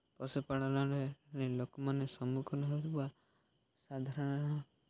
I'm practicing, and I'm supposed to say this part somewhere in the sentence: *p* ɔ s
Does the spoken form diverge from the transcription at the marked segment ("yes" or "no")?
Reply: no